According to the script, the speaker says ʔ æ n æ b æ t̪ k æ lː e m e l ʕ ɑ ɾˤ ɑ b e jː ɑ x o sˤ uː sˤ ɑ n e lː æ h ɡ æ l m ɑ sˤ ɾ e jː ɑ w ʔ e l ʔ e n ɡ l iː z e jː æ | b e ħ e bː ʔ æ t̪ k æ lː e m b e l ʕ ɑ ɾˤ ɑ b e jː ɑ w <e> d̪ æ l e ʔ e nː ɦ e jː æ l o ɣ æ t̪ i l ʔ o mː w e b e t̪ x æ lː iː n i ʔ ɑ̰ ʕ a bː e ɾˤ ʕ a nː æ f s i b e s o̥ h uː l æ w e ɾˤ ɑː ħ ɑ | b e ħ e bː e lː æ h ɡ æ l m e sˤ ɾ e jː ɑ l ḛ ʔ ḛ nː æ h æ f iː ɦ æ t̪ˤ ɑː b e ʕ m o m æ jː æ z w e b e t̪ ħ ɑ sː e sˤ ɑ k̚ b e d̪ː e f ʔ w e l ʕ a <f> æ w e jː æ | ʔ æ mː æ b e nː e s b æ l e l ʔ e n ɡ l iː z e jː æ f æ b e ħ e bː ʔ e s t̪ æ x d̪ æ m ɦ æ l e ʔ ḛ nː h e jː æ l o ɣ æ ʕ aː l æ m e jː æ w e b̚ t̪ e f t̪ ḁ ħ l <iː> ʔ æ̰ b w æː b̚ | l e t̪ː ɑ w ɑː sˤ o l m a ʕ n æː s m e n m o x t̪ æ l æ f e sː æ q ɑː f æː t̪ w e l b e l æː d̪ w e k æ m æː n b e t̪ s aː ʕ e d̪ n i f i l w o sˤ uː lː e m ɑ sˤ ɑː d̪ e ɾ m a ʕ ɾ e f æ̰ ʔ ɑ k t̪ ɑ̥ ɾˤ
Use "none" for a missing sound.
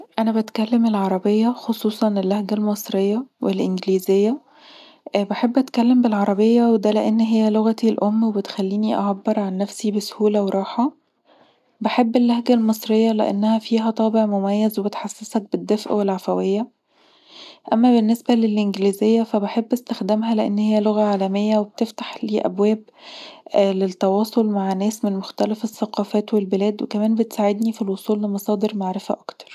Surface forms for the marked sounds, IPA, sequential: e, f, iː

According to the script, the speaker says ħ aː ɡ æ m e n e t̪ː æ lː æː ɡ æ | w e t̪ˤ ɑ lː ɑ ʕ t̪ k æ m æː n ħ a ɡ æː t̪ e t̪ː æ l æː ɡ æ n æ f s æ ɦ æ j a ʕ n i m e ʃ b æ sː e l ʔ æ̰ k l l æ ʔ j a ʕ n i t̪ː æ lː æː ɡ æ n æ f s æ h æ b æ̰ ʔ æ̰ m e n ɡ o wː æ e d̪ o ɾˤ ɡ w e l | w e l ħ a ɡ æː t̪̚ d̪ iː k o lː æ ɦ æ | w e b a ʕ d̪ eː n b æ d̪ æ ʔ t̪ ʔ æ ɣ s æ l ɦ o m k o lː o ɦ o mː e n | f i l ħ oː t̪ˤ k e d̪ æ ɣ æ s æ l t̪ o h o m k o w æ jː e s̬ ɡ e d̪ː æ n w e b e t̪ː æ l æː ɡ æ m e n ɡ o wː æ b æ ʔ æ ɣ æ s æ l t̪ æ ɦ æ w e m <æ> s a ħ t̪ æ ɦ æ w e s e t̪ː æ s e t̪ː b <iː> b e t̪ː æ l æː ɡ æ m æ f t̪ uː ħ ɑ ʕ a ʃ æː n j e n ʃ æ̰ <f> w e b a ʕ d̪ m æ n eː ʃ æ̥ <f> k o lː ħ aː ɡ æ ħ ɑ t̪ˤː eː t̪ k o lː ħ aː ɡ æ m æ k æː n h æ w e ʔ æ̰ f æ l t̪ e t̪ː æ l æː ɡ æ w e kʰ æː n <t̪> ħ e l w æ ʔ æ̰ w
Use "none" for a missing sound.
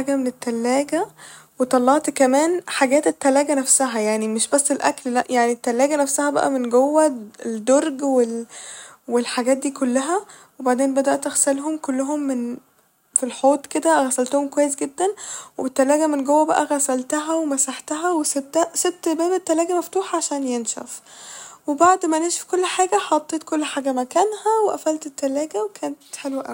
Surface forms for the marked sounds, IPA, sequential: æ, æː, f, f, t̪

